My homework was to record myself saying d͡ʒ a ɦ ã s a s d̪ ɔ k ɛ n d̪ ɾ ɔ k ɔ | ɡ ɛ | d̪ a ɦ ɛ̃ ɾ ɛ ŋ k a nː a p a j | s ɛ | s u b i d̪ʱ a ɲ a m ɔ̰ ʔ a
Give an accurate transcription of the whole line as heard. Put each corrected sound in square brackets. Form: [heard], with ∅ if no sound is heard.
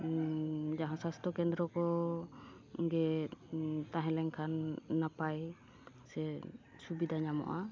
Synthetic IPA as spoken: d͡ʒ a ɦ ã s a s [t̪] ɔ k ɛ n d̪ ɾ ɔ k ɔ | ɡ ɛ | [t̪] a ɦ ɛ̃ [l] ɛ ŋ [kʰ] a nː a p a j | s ɛ | s u b i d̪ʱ a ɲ a m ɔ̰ ʔ a

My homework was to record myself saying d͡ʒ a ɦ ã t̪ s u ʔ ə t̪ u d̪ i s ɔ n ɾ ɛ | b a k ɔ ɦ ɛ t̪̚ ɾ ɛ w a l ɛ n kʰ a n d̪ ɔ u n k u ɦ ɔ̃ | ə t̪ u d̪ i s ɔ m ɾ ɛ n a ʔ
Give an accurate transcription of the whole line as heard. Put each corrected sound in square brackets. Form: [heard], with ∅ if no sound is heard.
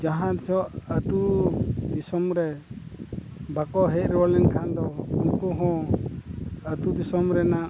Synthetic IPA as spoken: d͡ʒ a ɦ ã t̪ s [ɔ] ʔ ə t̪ u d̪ i s ɔ [m] ɾ ɛ | b a k ɔ ɦ ɛ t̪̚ ɾ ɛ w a l ɛ n kʰ a n d̪ ɔ u n k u ɦ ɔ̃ | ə t̪ u d̪ i s ɔ m ɾ ɛ n a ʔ

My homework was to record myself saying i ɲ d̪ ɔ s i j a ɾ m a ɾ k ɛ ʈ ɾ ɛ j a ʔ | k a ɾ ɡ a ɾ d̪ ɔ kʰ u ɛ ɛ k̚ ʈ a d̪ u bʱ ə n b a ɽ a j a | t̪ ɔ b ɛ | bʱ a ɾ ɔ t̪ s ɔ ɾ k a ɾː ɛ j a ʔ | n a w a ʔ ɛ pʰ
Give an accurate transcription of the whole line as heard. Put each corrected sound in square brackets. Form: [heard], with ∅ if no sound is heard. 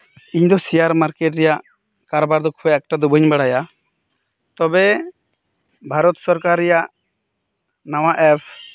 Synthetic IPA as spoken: i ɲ d̪ ɔ s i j a ɾ m a ɾ k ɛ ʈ ɾ ɛ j a ʔ | k a ɾ [b] a ɾ d̪ ɔ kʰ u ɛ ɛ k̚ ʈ a d̪ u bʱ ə [ɲ] b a ɽ a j a | t̪ ɔ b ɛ | bʱ a ɾ ɔ t̪ s ɔ ɾ k a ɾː ɛ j a ʔ | n a w a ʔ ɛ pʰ

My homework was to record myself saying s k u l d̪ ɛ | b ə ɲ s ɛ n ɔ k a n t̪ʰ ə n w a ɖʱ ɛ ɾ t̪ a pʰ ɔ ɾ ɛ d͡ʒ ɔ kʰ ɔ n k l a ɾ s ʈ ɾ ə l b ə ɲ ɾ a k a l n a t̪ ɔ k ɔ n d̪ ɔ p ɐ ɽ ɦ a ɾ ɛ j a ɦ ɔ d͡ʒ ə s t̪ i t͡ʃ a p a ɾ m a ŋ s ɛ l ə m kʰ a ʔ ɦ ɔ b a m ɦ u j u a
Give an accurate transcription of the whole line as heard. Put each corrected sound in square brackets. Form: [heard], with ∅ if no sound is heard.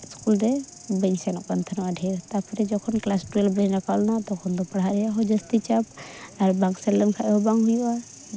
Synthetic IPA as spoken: s k u l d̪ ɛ | b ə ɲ s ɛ n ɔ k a n t̪ʰ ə n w a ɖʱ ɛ ɾ t̪ a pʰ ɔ ɾ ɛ d͡ʒ ɔ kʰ ɔ n k l a [∅] s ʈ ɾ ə l b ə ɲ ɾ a k a l n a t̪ ɔ [kʰ] ɔ n d̪ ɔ p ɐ ɽ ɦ a ɾ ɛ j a ɦ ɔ d͡ʒ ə s t̪ i t͡ʃ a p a ɾ [b] a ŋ s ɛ l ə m kʰ a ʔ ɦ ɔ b a [ŋ] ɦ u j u a

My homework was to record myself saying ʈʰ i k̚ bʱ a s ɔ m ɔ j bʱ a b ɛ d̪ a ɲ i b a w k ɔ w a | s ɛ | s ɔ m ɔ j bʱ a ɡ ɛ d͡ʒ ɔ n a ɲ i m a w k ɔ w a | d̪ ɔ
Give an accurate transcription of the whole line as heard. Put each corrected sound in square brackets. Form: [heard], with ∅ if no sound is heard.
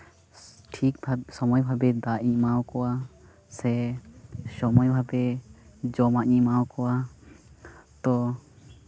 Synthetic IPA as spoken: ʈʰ i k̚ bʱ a s ɔ m ɔ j bʱ a b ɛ d̪ a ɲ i [m] a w k ɔ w a | s ɛ | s ɔ m ɔ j bʱ a [b] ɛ d͡ʒ ɔ [m] a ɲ i m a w k ɔ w a | [t̪] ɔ

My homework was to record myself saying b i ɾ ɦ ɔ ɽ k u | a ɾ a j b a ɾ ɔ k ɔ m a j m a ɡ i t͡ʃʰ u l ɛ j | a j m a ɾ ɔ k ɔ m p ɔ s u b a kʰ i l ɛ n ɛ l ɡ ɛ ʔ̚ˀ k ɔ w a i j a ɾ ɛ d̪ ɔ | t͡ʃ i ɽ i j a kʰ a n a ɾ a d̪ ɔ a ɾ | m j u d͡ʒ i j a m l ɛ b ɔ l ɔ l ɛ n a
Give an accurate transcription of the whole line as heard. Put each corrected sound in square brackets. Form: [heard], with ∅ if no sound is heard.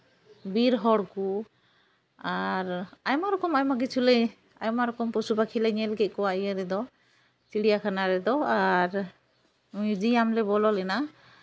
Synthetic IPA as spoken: b i ɾ ɦ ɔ ɽ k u | a ɾ a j [m] a ɾ ɔ k ɔ m a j m a ɡ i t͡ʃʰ u l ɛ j | a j m a ɾ ɔ k ɔ m p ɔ s u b a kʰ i l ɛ [ɲ] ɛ l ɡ ɛ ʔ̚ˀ k ɔ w a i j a ɾ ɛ d̪ ɔ | t͡ʃ i ɽ i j a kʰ a n a ɾ [ɛ] d̪ ɔ a ɾ | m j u d͡ʒ i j a m l ɛ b ɔ l ɔ l ɛ n a

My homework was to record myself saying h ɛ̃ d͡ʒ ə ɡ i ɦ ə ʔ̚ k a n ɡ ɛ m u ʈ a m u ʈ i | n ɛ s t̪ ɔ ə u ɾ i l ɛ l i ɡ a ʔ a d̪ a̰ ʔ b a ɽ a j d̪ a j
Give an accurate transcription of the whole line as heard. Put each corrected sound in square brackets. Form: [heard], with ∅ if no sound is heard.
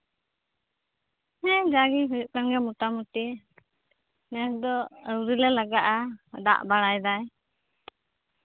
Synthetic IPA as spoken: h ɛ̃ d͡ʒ [a] ɡ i ɦ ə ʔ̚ k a n ɡ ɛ m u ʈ a m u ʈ i | n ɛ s [d̪] ɔ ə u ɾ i l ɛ l [a] ɡ a ʔ a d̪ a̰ ʔ b a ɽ a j d̪ a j

